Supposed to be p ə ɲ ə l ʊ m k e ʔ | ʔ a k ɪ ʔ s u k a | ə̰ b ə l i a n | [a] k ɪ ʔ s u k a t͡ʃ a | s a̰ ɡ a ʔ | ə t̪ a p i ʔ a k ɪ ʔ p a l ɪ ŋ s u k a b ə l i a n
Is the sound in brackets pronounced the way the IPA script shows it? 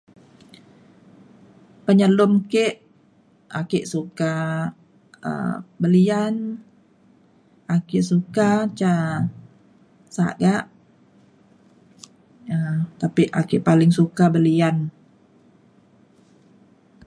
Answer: yes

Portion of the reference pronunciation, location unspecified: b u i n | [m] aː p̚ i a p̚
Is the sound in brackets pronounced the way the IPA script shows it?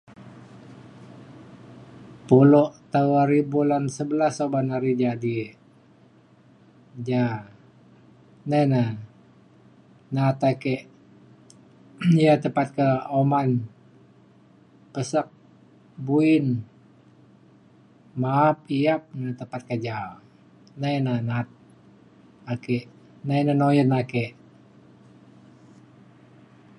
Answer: yes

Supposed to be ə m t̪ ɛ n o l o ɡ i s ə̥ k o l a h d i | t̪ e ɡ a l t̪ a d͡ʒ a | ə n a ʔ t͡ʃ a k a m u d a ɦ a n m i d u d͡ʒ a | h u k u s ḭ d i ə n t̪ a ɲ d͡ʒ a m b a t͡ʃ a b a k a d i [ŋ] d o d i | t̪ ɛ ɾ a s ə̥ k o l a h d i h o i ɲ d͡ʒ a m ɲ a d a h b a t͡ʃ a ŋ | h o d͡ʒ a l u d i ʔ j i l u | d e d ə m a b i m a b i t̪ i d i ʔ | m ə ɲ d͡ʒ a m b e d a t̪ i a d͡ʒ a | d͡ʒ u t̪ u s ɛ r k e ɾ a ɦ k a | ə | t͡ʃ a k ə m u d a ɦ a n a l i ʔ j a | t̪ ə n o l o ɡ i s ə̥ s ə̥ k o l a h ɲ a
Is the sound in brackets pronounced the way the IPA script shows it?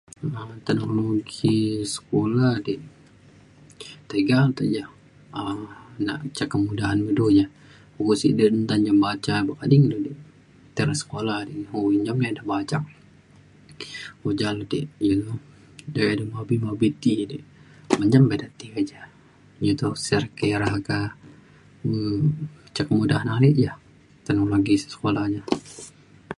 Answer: yes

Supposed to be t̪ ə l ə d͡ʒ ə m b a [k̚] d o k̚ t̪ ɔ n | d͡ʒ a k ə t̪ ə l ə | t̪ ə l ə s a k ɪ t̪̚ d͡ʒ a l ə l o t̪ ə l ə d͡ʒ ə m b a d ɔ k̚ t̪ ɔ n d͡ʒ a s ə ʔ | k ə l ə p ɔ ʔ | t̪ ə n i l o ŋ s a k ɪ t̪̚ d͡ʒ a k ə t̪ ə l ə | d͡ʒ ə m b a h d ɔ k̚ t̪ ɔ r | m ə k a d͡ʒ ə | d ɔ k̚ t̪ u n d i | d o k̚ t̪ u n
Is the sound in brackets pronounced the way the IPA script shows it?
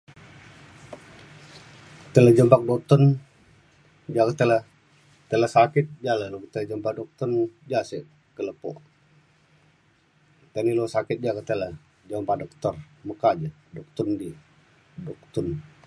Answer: yes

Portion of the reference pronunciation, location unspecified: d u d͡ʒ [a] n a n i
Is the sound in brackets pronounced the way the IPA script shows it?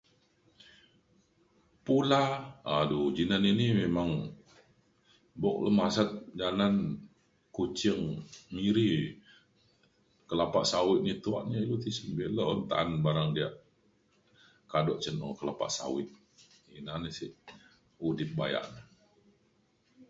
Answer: no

